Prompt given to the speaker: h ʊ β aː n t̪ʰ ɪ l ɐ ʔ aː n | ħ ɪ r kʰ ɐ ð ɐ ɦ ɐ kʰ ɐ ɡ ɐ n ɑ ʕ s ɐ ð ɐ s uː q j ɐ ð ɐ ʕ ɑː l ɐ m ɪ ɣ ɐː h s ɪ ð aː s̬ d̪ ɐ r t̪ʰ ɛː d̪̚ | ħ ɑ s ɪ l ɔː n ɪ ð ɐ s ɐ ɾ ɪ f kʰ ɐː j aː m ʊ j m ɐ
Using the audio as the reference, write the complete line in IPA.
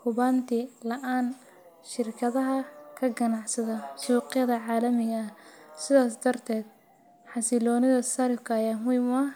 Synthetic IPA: h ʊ β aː n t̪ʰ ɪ l ɐ ʔ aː n | ʃ ɪ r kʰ ɐ ð ɐ ɦ ɐ kʰ ɐ ɡ ɐ n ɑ ʕ s ɐ ð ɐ s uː q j ɐ ð ɐ ʕ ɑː l ɐ m ɪ ɣ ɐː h s ɪ ð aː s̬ d̪ ɐ r t̪ʰ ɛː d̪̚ | ħ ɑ s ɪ l ɔː n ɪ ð ɐ s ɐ ɾ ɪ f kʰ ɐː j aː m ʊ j m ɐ

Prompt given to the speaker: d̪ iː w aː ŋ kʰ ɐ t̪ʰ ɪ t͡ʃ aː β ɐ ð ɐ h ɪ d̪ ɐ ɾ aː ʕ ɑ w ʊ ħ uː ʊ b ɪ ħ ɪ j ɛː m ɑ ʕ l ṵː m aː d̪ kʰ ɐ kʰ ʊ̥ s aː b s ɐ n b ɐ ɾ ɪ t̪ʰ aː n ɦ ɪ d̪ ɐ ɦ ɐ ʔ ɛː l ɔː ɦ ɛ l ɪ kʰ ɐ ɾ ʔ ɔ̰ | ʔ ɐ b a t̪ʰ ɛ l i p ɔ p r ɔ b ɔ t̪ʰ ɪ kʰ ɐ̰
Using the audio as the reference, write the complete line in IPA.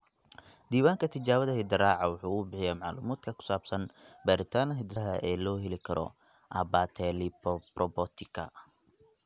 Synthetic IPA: d̪ iː w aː ŋ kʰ ɐ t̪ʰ ɪ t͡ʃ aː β ɐ ð ɐ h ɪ d̪ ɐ ɾ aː ʕ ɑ w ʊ ħ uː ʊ b ɪ ħ ɪ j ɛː m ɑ ʕ l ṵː m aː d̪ kʰ ɐ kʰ ʊ̥ s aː b s ɐ n b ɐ ɾ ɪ t̪ʰ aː n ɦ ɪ d̪ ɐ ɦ ɐ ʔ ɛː l ɔː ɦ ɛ l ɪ kʰ ɐ ɾ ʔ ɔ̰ | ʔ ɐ b a t̪ʰ ɛ l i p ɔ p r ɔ b ɔ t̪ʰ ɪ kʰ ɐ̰

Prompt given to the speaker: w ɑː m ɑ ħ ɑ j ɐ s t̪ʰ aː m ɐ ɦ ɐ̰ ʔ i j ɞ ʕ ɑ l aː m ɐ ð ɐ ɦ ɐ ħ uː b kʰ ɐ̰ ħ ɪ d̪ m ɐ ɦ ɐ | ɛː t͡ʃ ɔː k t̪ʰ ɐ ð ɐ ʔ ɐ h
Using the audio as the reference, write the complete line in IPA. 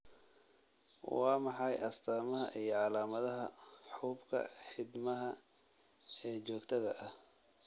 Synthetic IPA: w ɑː m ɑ ħ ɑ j ɐ s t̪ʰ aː m ɐ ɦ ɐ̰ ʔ i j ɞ ʕ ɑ l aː m ɐ ð ɐ ɦ ɐ ħ uː b kʰ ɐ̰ ħ ɪ d̪ m ɐ ɦ ɐ | ɛː t͡ʃ ɔː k t̪ʰ ɐ ð ɐ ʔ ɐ h

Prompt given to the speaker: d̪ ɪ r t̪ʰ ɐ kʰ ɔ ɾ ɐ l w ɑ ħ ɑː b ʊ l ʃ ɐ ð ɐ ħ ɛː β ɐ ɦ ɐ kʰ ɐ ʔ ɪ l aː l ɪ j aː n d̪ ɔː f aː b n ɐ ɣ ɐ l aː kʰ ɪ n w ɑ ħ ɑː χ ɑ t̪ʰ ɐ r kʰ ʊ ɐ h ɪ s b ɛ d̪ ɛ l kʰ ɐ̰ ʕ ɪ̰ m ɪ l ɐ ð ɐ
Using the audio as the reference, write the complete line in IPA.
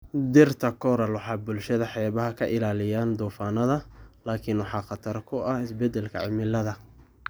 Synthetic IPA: d̪ ɪ r t̪ʰ ɐ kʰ ɔ ɾ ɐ l w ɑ ħ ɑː b ʊ l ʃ ɐ ð ɐ ħ ɛː β ɐ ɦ ɐ kʰ ɐ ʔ ɪ l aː l ɪ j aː n d̪ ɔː f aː n ɐ ð ɐ l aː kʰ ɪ n w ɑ ħ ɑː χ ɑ t̪ʰ ɐ r kʰ ʊ ɐ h ɪ s b ɛ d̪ ɛ l kʰ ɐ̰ ʕ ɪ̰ m ɪ l ɐ ð ɐ

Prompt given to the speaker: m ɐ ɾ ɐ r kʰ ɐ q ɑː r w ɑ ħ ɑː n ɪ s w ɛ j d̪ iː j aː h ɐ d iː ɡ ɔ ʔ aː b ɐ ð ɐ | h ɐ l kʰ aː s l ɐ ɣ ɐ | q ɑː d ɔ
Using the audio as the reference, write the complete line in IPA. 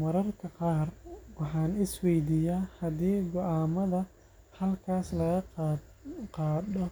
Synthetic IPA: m ɐ ɾ ɐ r kʰ ɐ q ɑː r w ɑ ħ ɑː n ɪ s w ɛ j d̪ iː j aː h ɐ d iː ɡ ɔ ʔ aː m ɐ ð ɐ | h ɐ l kʰ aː s l ɐ ɣ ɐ | q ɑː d ɔ

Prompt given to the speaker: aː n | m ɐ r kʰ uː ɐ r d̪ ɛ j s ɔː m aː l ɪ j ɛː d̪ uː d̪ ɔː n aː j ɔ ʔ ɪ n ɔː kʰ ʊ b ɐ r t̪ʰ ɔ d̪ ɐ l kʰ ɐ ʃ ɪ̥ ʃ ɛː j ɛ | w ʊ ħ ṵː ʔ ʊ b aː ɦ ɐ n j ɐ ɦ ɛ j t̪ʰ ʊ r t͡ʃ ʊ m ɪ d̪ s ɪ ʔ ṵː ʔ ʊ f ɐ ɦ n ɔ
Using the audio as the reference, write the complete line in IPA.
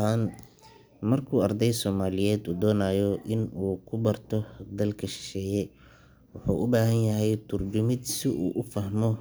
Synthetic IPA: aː n | m ɐ r kʰ uː ɐ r d̪ ɛ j s ɔː m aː l ɪ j ɛː d̪ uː d̪ ɔː n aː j ɔ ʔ ɪ n uː kʰ ʊ b ɐ r t̪ʰ ɔ d̪ ɐ l kʰ ɐ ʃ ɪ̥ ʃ ɛː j ɛ | w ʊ ħ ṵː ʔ ʊ b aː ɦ ɐ n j ɐ ɦ ɛ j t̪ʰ ʊ r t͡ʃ ʊ m ɪ d̪ s ɪ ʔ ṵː ʔ ʊ f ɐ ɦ m ɔ

